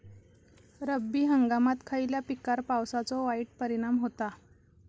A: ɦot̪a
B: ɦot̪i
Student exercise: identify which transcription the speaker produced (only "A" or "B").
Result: A